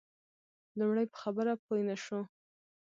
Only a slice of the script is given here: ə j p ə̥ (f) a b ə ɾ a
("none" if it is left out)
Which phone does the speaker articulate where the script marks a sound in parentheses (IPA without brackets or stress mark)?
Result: x